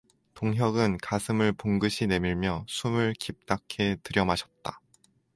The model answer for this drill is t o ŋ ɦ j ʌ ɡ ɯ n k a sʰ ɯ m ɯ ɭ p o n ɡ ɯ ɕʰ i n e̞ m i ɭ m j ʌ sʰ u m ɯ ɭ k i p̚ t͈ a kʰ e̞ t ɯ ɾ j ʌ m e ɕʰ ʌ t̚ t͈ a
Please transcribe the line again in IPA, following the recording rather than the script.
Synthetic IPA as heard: t o ŋ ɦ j ʌ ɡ ɯ n k a sʰ ɯ m ɯ ɭ p o ŋ ɡ ɯ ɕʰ i n e̞ m i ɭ m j ʌ sʰ u m ɯ ɭ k i p̚ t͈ a kʰ e̞ t ɯ ɾ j ʌ m a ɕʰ ʌ t̚ t͈ a